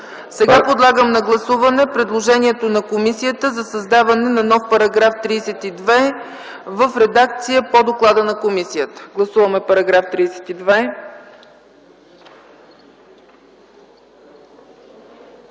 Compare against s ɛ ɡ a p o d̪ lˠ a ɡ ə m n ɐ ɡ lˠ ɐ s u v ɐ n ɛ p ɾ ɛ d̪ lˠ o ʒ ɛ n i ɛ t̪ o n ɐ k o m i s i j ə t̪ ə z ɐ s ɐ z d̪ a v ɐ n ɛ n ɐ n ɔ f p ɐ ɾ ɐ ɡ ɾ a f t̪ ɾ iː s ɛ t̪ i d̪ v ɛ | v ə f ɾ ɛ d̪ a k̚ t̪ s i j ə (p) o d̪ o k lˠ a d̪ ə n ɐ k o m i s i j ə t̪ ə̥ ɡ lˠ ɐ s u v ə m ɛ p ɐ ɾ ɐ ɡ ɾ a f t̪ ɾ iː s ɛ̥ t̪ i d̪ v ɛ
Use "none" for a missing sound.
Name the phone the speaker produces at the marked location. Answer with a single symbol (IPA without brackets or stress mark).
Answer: p